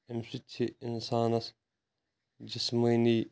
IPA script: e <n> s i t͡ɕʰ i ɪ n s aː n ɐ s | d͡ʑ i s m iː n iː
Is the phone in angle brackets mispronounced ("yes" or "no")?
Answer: yes